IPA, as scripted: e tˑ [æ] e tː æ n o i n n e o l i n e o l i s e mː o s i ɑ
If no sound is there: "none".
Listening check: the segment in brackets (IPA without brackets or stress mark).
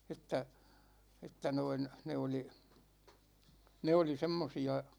æ